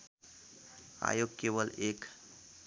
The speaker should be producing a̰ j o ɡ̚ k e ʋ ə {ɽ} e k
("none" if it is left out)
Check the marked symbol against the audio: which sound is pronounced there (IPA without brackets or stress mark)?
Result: l